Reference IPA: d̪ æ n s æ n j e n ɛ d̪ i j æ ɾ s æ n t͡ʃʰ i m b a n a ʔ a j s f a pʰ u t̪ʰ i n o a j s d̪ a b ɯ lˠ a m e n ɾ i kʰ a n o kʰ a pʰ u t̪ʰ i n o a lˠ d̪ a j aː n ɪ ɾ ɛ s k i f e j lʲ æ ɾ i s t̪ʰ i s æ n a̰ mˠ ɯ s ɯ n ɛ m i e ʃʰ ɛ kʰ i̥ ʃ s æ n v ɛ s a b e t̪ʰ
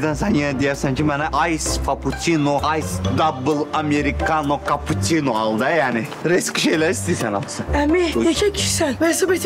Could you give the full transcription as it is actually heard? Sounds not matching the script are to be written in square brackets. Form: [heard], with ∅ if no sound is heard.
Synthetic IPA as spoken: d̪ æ n s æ n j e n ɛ d̪ i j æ ɾ s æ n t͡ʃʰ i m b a n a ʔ a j s f a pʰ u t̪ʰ i n o a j s d̪ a b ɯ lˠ a m e [∅] ɾ i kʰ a n o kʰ a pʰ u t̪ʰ i n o a lˠ d̪ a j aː n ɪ ɾ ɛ s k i [ʃ] e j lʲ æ ɾ i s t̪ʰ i s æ n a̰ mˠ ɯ s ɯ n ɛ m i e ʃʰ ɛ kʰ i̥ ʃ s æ n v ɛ s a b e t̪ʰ